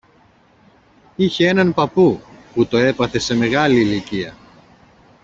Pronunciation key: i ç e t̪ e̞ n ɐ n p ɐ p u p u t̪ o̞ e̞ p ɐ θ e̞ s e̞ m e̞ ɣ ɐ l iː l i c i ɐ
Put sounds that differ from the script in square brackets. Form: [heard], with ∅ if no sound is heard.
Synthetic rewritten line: i ç e [∅] e̞ n ɐ n p ɐ p u p u t̪ o̞ e̞ p ɐ θ e̞ s e̞ m e̞ ɣ ɐ l iː l i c i ɐ